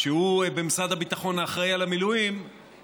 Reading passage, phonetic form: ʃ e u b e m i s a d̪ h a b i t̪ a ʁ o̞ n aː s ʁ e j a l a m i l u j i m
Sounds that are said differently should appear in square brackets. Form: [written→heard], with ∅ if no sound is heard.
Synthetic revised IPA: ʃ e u b e m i s a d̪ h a b i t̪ a [ʁ→χ] o̞ n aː [s→χ] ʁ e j a l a m i l u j i m